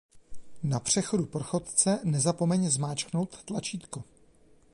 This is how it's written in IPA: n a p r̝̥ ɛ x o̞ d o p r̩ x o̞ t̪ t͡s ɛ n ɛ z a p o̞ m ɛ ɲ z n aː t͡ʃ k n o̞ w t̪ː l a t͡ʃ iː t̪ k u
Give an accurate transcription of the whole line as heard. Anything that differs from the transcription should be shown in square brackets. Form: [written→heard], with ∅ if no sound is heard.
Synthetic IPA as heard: n a p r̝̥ ɛ x o̞ d [o→u] p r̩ x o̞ t̪ t͡s ɛ n ɛ z a p o̞ m ɛ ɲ z [n→m] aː t͡ʃ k n o̞ w t̪ː l a t͡ʃ iː t̪ k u